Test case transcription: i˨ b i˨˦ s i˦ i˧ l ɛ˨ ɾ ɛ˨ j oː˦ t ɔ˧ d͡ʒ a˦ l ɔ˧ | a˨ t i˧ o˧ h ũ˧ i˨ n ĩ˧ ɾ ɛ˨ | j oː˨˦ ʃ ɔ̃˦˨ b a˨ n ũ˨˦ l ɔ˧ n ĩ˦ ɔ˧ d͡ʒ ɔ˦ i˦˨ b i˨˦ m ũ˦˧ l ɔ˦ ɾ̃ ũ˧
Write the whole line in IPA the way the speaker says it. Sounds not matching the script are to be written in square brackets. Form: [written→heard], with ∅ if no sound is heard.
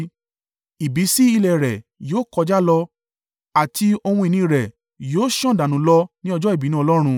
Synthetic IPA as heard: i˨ b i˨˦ s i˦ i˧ l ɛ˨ ɾ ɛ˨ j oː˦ [t→k] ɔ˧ d͡ʒ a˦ l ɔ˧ | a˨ t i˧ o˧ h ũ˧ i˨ n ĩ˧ ɾ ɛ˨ | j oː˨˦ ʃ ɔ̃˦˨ [b→d] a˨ n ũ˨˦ l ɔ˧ n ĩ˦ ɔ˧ d͡ʒ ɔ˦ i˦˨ b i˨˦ [m→n] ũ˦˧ l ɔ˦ ɾ̃ ũ˧

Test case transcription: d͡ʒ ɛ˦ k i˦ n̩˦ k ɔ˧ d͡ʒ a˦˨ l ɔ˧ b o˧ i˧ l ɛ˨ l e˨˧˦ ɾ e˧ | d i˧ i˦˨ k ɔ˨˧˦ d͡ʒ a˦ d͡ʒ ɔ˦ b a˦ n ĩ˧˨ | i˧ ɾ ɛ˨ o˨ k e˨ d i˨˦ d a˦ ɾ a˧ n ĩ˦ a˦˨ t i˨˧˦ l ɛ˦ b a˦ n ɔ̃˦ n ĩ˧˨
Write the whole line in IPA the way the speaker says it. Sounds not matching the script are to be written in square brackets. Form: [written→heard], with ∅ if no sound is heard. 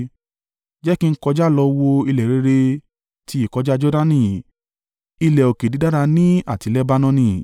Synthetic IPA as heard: d͡ʒ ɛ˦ k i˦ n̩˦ k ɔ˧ d͡ʒ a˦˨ l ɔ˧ [b→w] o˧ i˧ l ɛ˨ [l→ɾ] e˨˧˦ ɾ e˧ | [d→t] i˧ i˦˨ k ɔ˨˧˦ d͡ʒ a˦ d͡ʒ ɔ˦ [b→d] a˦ n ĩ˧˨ | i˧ [ɾ→l] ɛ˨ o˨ k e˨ d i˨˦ d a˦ ɾ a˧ n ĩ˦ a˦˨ t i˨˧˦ l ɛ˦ b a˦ n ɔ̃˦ n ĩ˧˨

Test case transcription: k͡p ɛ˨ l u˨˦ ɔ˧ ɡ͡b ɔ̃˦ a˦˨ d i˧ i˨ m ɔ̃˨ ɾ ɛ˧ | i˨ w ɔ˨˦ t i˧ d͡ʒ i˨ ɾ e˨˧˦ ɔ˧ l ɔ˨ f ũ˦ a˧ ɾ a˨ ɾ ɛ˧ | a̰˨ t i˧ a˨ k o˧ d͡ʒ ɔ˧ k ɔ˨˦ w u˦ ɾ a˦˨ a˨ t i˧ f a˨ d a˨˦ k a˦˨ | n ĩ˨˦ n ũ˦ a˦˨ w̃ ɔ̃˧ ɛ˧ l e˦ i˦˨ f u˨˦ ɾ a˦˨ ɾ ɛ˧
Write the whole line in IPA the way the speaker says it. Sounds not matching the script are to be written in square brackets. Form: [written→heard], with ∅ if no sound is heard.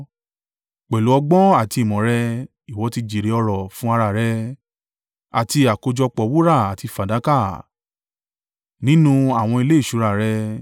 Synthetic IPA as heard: k͡p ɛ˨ l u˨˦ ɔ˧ ɡ͡b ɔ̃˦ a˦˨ [d→t] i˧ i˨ m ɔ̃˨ ɾ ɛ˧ | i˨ w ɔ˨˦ t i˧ d͡ʒ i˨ ɾ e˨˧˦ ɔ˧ [l→ɾ] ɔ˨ f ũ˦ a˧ ɾ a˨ ɾ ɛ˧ | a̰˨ t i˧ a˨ k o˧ d͡ʒ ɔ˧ [k→k͡p] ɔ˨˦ w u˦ ɾ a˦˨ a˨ t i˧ f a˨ d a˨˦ k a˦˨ | n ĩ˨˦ n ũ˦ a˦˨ w̃ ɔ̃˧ [ɛ˧→i˧] l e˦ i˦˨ [f→ʃ] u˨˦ ɾ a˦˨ ɾ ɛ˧

